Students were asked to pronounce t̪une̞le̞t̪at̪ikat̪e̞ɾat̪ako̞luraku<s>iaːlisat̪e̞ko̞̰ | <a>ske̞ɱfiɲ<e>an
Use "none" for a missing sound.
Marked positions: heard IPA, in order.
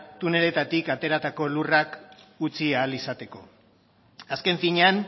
t͡s, a, e

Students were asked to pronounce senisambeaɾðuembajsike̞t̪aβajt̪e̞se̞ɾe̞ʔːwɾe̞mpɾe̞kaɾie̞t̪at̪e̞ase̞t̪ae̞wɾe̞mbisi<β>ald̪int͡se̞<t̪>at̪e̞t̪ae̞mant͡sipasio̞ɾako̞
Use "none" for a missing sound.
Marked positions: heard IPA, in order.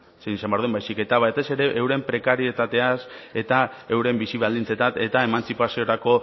β, t̪

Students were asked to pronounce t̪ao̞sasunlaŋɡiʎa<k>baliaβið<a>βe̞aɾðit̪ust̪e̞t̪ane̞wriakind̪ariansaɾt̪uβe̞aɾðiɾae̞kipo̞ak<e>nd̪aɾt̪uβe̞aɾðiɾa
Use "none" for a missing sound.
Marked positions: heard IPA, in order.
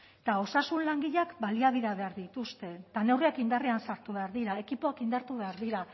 k, a, i

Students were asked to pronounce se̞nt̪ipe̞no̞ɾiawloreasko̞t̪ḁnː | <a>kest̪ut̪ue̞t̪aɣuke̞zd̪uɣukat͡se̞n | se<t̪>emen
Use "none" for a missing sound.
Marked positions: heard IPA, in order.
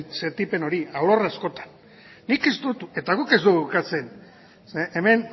i, none

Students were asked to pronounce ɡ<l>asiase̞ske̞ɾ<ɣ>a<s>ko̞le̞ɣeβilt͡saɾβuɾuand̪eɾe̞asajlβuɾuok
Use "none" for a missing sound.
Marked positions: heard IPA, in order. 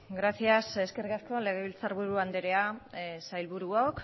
ɾ, ɣ, s

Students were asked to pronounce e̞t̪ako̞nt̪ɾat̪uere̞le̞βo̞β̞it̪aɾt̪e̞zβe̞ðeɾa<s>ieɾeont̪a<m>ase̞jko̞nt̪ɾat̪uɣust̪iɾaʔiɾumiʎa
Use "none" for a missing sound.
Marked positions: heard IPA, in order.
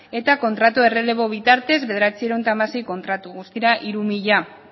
t͡s, m

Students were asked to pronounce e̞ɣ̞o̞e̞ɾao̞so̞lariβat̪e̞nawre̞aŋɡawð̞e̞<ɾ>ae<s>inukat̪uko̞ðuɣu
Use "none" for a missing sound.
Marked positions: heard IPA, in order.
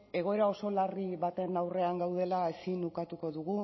l, s

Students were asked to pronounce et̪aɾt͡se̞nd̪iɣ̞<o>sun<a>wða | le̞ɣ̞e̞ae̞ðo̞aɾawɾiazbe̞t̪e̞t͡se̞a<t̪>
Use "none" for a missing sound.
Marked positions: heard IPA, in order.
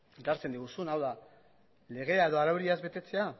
u, a, none

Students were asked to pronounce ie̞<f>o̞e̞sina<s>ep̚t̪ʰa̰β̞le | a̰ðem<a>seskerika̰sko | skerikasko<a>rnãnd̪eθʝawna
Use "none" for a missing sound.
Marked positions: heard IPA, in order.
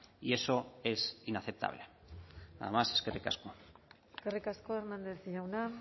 s, θ, a, e

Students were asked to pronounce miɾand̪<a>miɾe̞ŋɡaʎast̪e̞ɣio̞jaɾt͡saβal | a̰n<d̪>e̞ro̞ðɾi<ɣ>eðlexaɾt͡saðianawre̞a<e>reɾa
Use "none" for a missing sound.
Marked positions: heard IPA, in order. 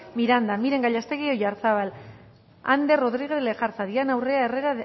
a, d̪, ɣ, e

